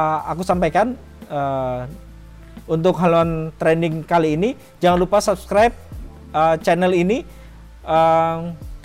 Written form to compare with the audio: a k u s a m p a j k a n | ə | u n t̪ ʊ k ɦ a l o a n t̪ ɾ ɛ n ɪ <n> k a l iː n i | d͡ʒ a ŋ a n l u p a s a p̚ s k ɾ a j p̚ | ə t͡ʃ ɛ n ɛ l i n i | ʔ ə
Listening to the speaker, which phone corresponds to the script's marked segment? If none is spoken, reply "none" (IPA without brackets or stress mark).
ŋ